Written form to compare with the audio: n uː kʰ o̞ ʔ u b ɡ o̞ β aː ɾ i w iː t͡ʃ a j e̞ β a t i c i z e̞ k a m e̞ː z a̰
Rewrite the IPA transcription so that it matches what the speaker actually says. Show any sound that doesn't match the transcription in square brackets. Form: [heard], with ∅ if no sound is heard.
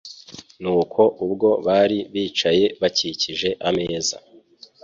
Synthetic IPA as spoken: n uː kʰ o̞ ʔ u b ɡ o̞ β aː ɾ i [β] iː t͡ʃ a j e̞ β a [c] i c i [ʒ] e̞ [ʔ] a m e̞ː z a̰